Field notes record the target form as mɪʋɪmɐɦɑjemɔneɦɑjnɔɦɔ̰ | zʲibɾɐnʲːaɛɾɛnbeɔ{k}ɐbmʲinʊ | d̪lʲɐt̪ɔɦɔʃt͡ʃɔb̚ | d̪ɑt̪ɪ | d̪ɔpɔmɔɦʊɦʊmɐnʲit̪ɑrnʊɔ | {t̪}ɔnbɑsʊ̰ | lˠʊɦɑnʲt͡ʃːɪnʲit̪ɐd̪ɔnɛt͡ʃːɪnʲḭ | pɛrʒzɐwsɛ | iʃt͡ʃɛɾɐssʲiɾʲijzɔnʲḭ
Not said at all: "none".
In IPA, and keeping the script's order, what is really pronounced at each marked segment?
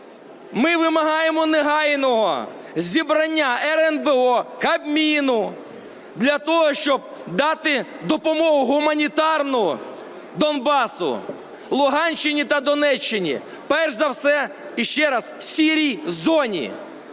k, d̪

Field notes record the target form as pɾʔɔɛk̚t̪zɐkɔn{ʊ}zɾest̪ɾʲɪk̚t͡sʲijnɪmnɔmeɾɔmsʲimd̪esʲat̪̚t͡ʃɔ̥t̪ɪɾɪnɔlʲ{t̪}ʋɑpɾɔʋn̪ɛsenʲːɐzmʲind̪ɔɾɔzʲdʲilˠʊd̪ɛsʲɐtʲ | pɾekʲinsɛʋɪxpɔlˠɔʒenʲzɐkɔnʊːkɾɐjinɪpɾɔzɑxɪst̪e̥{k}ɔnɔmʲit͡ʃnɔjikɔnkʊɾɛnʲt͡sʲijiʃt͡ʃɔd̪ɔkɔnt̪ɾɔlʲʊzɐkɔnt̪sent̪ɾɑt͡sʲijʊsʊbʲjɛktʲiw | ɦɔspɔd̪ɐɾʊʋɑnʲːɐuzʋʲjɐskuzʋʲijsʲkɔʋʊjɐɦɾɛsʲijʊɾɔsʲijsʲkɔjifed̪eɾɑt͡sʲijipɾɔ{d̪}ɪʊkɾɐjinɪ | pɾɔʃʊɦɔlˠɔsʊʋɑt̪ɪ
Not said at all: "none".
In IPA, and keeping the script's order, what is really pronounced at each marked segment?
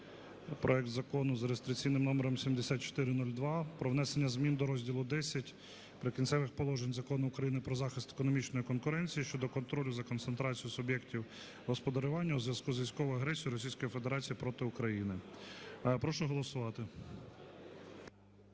ʊ, d̪, k, t̪

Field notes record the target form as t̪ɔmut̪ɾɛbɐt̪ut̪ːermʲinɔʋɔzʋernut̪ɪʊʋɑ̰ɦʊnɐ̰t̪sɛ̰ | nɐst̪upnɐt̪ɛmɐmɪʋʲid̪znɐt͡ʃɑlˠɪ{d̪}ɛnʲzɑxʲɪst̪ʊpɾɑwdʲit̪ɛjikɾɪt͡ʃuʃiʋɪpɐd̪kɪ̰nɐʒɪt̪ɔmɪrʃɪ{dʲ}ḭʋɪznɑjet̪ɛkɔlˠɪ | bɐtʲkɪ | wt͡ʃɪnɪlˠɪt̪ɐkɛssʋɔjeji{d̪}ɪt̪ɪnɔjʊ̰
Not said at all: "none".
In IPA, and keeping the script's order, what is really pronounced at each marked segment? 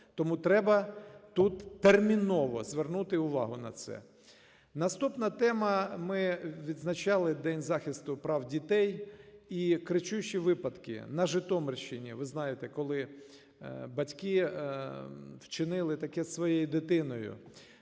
d̪, nʲ, d̪

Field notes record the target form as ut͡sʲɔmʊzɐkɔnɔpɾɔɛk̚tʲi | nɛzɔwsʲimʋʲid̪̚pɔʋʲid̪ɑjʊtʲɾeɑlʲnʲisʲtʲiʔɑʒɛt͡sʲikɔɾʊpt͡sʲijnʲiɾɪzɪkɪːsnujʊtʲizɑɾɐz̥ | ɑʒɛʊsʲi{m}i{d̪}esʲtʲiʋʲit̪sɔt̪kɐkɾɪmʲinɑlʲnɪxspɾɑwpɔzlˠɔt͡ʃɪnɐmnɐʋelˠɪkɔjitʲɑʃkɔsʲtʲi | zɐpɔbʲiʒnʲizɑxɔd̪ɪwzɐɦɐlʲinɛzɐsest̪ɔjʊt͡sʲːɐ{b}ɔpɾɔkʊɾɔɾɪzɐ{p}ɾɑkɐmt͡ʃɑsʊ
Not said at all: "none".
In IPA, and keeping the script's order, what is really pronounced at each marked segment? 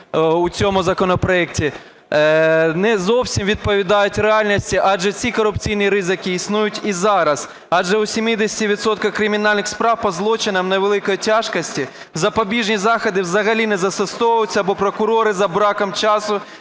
m, d̪, b, b

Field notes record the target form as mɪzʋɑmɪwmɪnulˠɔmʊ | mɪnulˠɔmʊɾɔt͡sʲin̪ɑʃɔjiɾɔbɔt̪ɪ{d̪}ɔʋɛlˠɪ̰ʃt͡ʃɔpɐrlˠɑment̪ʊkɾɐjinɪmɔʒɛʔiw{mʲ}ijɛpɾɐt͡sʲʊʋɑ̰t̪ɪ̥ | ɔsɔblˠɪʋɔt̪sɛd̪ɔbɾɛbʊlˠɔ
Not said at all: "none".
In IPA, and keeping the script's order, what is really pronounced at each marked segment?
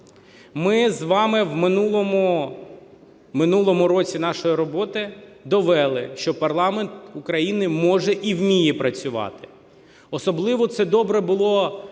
d̪, mʲ

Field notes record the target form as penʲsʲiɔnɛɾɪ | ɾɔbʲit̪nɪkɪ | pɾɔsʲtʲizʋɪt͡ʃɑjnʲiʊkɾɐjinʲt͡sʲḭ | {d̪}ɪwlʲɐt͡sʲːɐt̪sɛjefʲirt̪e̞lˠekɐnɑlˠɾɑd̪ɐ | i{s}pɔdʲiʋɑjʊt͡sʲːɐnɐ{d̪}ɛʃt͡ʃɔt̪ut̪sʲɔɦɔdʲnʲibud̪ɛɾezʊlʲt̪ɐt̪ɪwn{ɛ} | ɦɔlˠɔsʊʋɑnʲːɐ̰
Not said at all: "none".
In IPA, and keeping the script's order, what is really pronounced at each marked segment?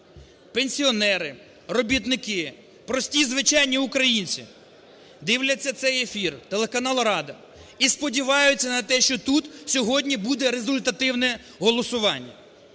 d̪, s, t̪, ɛ

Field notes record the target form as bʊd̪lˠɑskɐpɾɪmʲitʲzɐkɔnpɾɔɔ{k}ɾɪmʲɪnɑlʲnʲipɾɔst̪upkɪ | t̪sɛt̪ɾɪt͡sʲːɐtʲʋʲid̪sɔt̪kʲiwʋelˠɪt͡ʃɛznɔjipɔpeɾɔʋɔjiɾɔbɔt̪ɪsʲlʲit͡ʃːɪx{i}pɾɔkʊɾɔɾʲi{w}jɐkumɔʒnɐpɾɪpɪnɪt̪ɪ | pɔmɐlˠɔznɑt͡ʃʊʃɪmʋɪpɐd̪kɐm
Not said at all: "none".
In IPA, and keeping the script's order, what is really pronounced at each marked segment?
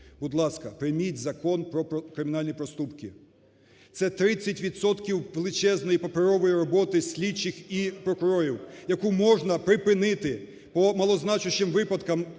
k, i, w

